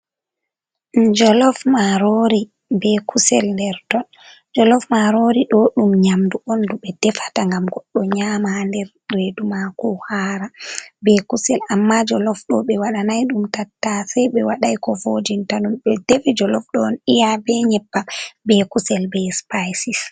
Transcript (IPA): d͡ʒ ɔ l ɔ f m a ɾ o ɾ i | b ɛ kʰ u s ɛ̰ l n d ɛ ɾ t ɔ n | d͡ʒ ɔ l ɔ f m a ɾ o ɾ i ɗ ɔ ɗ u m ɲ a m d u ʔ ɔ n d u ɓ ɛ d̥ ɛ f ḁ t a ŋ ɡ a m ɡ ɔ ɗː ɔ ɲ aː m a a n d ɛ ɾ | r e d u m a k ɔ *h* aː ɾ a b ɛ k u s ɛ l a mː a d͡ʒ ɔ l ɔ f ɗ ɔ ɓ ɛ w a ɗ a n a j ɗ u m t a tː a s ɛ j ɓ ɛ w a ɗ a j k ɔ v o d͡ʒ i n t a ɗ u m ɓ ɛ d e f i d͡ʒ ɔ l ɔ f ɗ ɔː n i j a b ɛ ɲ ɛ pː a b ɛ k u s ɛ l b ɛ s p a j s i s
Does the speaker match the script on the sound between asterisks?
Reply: yes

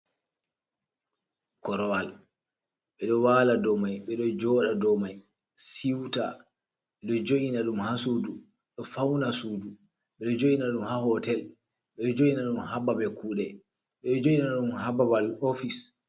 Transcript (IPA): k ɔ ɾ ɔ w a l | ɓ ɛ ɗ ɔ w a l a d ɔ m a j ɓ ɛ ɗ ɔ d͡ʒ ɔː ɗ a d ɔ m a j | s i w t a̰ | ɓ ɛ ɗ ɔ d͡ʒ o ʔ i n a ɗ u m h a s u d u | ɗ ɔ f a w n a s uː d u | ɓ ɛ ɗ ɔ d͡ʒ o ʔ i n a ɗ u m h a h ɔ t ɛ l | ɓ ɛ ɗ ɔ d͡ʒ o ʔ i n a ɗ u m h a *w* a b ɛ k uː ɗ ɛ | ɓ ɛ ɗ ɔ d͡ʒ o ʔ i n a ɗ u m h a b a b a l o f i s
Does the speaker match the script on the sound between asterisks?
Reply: no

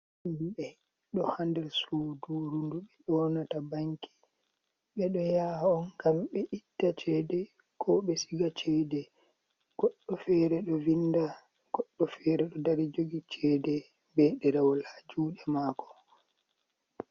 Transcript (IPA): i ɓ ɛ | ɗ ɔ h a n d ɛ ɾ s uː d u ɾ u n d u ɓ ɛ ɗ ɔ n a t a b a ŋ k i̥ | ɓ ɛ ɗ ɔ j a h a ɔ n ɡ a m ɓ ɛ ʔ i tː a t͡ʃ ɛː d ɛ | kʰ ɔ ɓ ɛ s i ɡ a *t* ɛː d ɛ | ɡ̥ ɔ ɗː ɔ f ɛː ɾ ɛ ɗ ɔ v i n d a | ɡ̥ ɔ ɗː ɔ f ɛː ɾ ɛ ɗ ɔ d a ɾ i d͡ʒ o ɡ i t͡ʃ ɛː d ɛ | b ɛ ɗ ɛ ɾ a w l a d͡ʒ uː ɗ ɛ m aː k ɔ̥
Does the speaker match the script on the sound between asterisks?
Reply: no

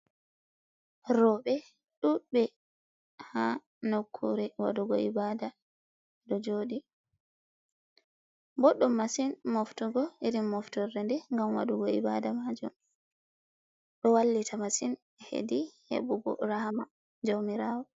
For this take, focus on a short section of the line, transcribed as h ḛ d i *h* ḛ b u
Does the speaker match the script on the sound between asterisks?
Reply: yes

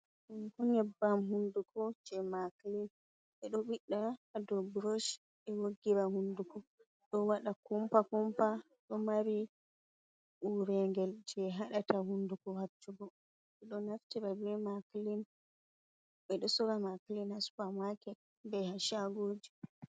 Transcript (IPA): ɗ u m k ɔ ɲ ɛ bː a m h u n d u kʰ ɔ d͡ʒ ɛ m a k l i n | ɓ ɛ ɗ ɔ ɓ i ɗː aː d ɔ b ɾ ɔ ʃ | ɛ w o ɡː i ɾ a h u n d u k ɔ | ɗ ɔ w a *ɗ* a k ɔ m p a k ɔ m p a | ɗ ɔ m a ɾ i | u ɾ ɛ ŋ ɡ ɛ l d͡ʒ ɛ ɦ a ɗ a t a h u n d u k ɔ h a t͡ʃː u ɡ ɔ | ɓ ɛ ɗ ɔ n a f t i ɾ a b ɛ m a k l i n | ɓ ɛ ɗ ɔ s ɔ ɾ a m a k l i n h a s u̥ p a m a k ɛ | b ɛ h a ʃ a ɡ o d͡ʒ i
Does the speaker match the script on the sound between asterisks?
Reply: yes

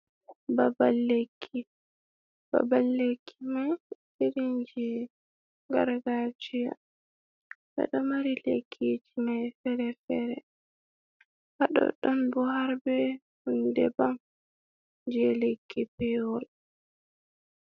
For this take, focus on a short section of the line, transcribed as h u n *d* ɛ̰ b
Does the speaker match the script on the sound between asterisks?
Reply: yes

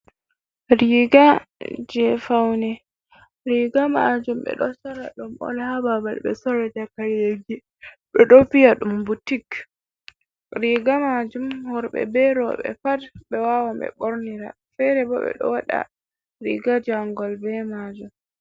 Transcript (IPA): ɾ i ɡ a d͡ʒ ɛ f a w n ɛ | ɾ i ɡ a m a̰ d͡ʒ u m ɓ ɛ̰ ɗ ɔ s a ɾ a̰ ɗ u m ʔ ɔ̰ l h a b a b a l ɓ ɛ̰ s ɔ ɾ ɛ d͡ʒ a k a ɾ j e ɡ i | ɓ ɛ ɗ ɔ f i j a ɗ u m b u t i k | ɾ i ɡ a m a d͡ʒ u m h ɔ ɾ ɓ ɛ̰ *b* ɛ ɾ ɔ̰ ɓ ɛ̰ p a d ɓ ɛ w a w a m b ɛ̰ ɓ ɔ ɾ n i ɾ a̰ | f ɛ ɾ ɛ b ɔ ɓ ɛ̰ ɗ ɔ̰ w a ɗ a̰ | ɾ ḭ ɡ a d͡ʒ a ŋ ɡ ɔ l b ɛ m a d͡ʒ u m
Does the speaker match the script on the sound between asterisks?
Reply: yes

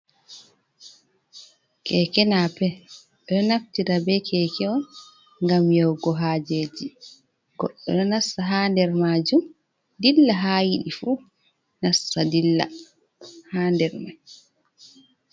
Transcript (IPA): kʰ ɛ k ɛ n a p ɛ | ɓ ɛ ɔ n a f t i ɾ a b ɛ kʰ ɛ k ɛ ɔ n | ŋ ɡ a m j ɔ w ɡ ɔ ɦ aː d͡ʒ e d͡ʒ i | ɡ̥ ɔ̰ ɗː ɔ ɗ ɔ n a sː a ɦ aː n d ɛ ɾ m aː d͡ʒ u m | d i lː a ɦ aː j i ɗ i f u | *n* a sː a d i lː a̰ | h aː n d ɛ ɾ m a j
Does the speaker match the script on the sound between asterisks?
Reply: yes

